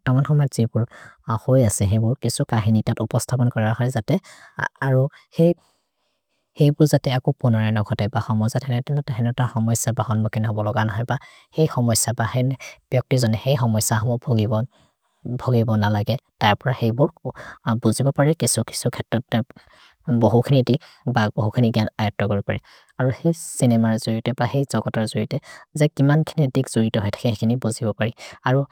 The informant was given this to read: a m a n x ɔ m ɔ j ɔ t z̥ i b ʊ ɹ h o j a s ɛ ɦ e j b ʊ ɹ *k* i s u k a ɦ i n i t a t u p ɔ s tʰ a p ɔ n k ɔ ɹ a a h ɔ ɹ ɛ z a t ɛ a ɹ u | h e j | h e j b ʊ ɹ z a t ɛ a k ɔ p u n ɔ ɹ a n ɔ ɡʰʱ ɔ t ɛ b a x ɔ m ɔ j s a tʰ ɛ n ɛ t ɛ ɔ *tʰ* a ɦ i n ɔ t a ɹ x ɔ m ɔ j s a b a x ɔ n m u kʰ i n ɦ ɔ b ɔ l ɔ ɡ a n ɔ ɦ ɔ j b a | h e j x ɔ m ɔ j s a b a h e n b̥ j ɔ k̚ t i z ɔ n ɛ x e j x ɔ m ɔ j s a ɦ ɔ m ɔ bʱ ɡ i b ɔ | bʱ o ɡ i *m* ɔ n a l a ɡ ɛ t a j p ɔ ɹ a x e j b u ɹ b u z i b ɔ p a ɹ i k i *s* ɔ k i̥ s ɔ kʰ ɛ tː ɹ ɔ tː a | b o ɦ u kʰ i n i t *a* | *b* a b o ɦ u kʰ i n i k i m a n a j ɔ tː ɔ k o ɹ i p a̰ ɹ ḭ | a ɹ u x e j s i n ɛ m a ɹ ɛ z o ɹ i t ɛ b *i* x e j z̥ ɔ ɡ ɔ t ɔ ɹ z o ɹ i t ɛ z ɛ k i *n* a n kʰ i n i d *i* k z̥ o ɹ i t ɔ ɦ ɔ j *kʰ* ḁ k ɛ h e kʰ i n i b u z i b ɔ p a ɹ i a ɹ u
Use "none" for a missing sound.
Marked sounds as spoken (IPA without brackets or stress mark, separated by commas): k, t, b, s, i, b, a, m, i, tʰ